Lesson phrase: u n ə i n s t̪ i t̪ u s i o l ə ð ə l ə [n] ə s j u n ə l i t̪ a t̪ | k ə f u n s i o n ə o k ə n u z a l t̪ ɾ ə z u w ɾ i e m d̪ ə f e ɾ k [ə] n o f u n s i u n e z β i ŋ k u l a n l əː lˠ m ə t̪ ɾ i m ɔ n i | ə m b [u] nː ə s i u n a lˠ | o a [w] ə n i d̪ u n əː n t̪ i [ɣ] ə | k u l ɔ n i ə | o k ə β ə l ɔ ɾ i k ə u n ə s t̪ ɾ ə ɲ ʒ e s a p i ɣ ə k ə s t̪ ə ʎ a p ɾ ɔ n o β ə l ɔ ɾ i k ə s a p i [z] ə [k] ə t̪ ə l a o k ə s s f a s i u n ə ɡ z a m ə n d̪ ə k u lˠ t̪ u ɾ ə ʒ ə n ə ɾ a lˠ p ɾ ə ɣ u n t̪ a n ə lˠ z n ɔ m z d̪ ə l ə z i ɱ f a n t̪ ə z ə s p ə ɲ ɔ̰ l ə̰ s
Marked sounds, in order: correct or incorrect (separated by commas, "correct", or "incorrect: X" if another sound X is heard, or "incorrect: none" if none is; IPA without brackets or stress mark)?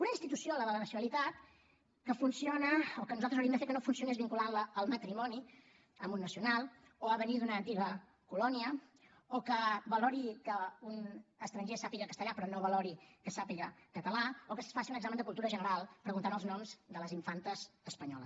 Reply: correct, correct, correct, incorrect: β, correct, incorrect: ɣ, correct